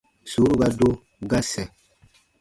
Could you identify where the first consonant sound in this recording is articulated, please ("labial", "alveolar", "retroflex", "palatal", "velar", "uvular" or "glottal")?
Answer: alveolar